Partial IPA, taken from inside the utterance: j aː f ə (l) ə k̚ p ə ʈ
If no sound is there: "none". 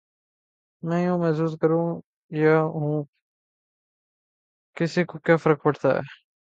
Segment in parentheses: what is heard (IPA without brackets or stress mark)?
ɾ